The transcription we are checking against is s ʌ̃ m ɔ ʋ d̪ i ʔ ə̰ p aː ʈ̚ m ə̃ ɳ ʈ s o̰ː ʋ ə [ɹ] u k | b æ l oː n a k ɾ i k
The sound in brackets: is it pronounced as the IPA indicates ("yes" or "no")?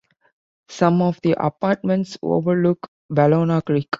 no